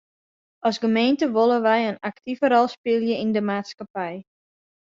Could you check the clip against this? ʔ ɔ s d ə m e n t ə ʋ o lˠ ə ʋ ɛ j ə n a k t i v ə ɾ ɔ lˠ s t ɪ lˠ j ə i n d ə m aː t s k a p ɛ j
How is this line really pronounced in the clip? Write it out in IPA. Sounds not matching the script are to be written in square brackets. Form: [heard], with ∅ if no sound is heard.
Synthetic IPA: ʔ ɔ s [ɡ] ə m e n t ə ʋ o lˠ ə ʋ ɛ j ə n a k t i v ə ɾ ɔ lˠ s [p] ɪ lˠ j ə i n d ə m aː t s k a p ɛ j